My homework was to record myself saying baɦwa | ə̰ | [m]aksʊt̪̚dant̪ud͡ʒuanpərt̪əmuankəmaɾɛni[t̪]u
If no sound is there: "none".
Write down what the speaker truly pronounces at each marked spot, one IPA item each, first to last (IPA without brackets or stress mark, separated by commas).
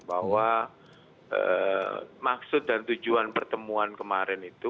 m, t̪